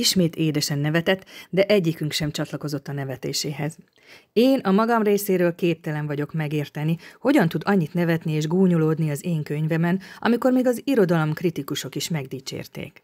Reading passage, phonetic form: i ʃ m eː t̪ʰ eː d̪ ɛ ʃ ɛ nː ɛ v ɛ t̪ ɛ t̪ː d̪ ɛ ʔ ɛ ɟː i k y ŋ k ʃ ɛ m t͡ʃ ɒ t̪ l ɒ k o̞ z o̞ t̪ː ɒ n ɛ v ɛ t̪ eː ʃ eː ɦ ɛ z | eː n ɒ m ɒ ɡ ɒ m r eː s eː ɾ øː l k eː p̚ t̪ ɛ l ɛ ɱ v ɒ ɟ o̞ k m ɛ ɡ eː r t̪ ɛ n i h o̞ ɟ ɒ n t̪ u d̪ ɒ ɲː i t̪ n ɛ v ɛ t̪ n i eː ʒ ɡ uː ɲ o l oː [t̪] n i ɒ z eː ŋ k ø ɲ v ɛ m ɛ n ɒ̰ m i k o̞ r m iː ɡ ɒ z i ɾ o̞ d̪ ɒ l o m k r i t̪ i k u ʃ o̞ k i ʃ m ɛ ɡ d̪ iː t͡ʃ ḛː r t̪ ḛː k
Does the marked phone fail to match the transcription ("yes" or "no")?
yes